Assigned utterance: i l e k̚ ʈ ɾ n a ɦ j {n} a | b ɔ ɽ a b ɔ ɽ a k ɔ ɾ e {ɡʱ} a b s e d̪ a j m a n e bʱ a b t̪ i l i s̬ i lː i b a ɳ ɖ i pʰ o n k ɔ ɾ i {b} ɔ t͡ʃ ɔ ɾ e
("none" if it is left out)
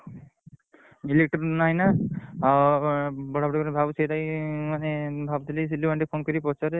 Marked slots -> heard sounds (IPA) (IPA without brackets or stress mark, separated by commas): n, bʱ, p